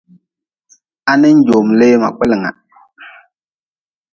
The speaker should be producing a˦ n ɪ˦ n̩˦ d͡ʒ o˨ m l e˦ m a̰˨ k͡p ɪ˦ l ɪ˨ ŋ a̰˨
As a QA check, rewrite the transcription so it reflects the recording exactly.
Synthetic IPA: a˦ n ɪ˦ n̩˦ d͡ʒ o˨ m l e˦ m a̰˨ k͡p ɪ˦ l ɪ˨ ŋ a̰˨